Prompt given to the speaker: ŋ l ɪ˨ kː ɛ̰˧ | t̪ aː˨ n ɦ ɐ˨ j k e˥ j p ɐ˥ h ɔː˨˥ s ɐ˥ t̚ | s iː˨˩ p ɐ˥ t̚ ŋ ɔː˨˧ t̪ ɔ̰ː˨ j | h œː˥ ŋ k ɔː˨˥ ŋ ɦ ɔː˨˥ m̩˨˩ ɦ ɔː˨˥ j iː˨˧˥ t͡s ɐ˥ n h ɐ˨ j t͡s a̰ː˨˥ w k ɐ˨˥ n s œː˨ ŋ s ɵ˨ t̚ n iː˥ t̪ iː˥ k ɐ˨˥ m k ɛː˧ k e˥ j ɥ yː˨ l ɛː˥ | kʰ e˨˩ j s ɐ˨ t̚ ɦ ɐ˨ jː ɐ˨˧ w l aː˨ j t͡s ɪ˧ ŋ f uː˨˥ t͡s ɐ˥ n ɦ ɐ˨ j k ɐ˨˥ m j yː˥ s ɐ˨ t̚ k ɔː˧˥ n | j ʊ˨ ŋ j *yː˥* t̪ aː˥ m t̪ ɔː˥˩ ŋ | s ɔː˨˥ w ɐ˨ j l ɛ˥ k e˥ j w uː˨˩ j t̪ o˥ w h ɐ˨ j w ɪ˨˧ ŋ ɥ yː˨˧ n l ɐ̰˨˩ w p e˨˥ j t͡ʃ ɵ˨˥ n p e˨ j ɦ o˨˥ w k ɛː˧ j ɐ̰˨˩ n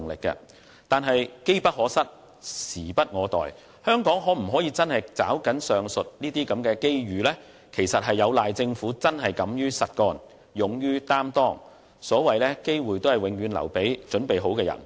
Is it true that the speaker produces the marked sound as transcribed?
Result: yes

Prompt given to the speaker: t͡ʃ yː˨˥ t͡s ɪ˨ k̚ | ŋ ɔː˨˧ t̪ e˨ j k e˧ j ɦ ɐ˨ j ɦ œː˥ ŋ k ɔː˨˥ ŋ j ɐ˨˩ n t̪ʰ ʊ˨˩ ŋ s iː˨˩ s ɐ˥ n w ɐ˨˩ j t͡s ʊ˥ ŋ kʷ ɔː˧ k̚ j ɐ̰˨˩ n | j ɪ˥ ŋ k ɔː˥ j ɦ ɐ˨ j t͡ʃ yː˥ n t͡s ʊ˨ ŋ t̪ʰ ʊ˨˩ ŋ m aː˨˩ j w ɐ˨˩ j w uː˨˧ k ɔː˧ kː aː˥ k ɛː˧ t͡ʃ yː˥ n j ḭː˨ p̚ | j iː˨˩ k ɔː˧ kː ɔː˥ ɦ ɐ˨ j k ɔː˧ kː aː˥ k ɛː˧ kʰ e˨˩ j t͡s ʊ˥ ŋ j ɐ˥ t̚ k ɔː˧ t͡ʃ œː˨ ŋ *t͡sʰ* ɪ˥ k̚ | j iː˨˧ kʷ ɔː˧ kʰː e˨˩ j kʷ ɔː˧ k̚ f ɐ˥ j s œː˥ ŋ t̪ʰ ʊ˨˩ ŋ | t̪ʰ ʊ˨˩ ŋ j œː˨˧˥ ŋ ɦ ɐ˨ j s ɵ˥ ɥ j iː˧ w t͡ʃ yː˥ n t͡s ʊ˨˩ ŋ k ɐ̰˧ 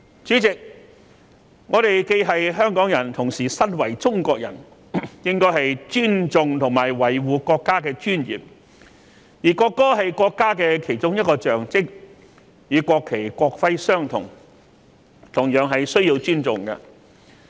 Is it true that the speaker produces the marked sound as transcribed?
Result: no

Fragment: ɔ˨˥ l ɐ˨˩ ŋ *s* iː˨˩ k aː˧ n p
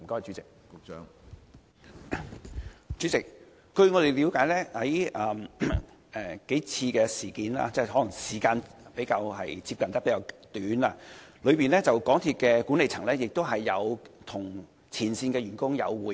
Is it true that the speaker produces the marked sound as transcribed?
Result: yes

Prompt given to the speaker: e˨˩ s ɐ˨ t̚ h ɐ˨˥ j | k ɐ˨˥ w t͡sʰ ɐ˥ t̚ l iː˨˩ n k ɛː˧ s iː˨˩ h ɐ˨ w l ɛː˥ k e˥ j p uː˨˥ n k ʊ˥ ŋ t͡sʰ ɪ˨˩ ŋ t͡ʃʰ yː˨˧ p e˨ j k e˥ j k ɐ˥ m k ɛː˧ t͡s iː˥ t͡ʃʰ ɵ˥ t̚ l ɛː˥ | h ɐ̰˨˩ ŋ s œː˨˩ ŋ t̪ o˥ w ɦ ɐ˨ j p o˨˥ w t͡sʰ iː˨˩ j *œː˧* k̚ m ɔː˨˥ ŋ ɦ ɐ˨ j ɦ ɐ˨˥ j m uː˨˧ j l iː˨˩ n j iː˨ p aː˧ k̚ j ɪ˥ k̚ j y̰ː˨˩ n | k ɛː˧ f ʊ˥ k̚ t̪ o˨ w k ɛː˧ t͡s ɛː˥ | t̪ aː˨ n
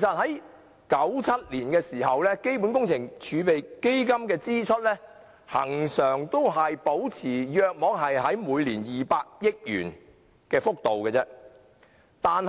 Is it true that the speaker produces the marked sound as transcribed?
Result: yes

